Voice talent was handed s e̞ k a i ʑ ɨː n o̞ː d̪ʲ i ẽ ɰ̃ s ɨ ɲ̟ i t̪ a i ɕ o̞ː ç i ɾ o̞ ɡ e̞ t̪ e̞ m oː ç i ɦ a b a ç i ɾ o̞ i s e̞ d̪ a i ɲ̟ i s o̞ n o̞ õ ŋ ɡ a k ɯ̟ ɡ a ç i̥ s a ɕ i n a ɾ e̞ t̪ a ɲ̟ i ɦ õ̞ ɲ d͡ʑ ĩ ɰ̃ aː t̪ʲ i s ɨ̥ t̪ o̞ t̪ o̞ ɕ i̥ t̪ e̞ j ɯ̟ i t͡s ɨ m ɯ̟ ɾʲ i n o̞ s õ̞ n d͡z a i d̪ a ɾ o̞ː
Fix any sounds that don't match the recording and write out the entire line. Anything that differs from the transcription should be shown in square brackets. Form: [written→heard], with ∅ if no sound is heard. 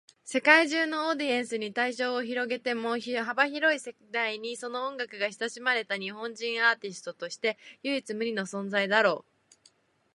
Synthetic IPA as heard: s e̞ k a i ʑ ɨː n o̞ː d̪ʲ i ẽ ɰ̃ s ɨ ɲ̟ i t̪ a i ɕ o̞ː ç i ɾ o̞ ɡ e̞ t̪ e̞ m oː ç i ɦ a b a ç i ɾ o̞ i s e̞ d̪ a i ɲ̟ i s o̞ n o̞ õ ŋ ɡ a k ɯ̟ ɡ a ç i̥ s a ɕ i [n→m] a ɾ e̞ t̪ a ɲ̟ i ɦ õ̞ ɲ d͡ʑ ĩ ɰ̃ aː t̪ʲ i s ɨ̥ t̪ o̞ t̪ o̞ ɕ i̥ t̪ e̞ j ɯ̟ i t͡s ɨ m ɯ̟ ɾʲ i n o̞ s õ̞ n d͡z a i d̪ a ɾ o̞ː